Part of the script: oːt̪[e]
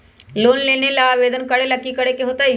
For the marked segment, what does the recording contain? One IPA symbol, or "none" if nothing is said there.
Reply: a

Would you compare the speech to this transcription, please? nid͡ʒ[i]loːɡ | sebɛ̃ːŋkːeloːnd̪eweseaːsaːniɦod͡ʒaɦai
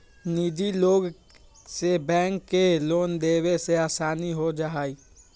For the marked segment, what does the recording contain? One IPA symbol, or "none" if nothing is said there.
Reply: i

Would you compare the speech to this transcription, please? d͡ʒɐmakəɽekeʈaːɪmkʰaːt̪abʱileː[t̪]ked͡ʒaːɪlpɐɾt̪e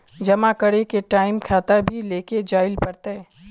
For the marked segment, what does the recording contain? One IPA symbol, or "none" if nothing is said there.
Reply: none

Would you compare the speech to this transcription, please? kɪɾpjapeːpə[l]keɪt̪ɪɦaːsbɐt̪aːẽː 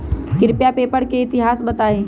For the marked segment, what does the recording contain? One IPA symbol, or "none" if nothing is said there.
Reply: ɽ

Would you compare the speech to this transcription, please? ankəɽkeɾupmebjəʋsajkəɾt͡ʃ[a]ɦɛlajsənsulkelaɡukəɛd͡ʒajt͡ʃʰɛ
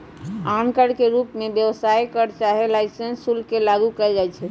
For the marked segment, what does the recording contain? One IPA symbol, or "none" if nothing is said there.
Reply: a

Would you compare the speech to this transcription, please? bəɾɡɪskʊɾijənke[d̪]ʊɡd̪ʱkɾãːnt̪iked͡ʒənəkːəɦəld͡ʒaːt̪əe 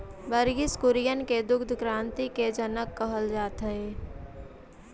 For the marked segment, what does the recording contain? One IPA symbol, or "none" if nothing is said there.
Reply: d̪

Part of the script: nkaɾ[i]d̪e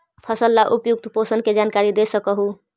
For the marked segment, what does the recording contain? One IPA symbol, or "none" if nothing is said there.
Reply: i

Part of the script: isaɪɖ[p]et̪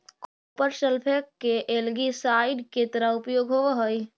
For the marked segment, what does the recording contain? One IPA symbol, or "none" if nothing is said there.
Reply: k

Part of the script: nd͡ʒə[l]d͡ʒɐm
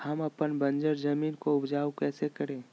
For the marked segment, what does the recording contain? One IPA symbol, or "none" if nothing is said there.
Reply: ɾ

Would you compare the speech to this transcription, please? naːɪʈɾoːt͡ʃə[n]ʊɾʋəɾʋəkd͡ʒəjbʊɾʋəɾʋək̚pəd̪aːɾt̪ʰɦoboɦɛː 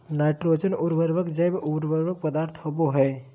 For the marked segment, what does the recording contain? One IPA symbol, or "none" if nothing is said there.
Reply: n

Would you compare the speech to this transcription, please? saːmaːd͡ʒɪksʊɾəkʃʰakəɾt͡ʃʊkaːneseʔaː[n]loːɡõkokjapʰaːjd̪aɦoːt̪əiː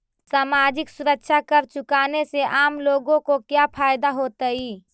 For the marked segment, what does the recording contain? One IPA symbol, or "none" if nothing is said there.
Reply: m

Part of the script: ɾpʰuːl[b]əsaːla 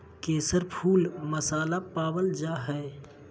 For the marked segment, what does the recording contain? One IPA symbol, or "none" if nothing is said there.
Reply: m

